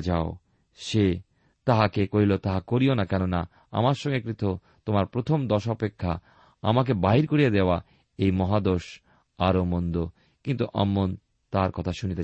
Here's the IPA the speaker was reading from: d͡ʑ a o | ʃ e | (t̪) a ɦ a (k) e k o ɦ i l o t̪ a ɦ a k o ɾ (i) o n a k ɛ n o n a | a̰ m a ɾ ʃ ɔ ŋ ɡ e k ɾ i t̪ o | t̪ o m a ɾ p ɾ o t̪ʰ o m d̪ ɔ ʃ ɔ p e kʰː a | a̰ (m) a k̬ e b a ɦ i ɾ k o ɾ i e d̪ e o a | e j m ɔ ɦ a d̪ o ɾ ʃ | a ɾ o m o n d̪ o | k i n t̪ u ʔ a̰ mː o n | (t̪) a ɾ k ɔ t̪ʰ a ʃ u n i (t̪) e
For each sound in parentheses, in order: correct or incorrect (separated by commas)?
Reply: correct, correct, correct, correct, correct, correct